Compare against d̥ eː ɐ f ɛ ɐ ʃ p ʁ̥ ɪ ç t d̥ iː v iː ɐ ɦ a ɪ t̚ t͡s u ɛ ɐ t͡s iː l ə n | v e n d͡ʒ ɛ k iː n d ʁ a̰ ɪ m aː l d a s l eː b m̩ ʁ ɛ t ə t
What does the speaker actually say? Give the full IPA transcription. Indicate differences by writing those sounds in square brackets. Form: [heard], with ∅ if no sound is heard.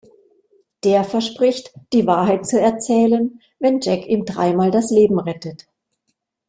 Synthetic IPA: d̥ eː ɐ f ɛ ɐ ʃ p ʁ̥ ɪ ç t d̥ iː v [aː] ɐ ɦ a ɪ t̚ t͡s u ɛ ɐ t͡s [ɛː] l ə n | v [ɛ] n d͡ʒ ɛ k iː [m] d ʁ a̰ ɪ m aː l d a s l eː b m̩ ʁ ɛ t ə t